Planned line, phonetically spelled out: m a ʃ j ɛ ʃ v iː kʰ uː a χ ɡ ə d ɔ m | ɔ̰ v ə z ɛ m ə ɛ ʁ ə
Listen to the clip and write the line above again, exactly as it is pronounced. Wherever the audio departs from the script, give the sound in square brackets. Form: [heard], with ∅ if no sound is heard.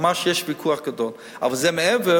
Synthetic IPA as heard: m a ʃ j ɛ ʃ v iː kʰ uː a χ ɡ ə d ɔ [n] | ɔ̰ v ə z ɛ m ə ɛ [v] ə